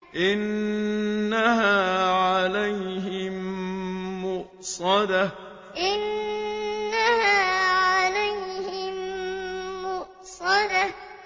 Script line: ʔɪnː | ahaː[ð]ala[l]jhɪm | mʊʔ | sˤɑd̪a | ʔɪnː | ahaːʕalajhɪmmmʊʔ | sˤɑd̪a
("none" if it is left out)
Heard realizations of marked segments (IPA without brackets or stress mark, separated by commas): ʕ, none